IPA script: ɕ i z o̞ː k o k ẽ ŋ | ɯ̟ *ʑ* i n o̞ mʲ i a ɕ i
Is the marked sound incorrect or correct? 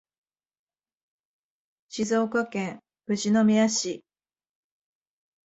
correct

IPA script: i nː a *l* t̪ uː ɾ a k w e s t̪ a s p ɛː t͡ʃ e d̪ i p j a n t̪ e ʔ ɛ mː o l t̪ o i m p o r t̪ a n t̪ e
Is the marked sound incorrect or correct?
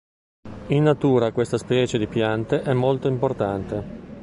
incorrect: none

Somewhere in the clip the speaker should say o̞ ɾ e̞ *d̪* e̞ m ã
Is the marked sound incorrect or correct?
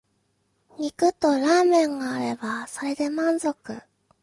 correct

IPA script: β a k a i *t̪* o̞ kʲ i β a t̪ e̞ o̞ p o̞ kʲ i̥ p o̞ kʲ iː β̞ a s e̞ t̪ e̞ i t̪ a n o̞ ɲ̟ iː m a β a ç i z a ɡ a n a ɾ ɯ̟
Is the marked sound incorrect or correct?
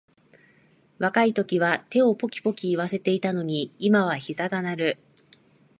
correct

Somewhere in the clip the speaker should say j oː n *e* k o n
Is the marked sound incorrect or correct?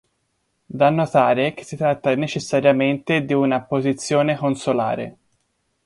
correct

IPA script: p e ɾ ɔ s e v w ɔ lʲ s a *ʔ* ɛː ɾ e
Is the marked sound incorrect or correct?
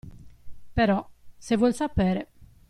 incorrect: p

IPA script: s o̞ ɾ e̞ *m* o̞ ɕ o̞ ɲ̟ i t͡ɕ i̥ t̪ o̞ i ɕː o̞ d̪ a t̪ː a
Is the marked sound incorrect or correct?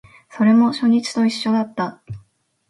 correct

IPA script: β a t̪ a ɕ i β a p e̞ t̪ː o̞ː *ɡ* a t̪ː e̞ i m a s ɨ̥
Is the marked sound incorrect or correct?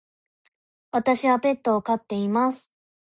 incorrect: k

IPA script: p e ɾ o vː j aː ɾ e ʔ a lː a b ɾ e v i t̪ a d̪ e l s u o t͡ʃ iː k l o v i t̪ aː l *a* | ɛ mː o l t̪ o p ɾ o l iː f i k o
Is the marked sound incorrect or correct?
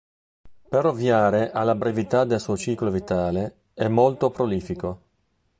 incorrect: e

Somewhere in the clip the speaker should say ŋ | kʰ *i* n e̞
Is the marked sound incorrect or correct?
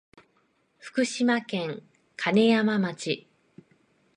incorrect: a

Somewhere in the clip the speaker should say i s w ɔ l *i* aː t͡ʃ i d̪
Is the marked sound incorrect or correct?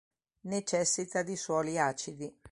correct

